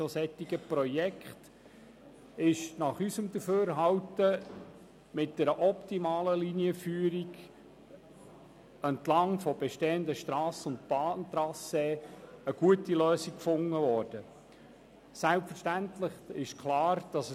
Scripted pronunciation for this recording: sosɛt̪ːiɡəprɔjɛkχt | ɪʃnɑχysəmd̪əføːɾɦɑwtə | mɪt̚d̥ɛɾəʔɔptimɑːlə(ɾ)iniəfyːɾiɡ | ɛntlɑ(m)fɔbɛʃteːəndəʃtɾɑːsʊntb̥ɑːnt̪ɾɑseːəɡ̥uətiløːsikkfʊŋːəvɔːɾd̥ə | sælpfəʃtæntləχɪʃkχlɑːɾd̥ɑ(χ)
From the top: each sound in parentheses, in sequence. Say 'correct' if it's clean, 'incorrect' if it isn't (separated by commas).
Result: incorrect, incorrect, incorrect